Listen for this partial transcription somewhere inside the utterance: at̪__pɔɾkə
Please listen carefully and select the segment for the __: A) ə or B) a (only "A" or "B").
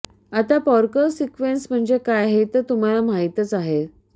B